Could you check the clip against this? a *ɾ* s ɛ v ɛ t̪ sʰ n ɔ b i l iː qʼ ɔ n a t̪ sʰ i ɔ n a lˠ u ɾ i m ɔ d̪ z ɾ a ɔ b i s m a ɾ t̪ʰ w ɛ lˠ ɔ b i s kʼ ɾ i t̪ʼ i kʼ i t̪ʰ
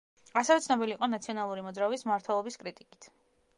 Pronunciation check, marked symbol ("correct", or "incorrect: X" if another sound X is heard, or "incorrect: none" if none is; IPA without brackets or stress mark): incorrect: none